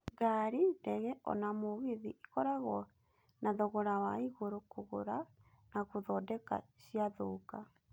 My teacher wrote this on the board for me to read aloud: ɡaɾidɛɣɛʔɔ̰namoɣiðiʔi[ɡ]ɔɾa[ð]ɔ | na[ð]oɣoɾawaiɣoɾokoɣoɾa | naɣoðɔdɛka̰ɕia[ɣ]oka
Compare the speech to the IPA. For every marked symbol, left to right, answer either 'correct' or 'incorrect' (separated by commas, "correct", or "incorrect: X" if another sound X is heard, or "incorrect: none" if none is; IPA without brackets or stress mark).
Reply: incorrect: k, incorrect: ɣ, correct, incorrect: ð